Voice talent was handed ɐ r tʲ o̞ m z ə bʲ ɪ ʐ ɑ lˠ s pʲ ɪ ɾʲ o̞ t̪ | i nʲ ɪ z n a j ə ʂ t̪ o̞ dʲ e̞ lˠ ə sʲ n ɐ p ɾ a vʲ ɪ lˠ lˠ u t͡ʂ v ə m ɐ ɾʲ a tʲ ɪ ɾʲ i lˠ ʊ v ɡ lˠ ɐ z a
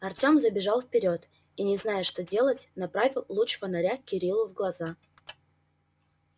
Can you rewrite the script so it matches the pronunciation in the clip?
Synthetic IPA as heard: ɐ r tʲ o̞ m z ə bʲ ɪ ʐ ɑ lˠ f pʲ ɪ ɾʲ o̞ t̪ | i nʲ ɪ z n a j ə ʂ t̪ o̞ dʲ e̞ lˠ ə tʲ n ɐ p ɾ a vʲ ɪ lˠ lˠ u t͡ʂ v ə n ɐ ɾʲ a kʲ ɪ ɾʲ i lˠ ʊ v ɡ lˠ ɐ z a